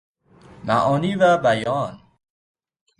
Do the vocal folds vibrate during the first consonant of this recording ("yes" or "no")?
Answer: yes